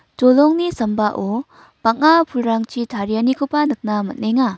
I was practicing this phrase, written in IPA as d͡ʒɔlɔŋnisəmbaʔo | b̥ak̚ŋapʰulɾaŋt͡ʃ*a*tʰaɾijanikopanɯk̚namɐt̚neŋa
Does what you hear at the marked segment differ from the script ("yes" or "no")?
yes